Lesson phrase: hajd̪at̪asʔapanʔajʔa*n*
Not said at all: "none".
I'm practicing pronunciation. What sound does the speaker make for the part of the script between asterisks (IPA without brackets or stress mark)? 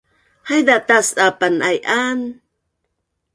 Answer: n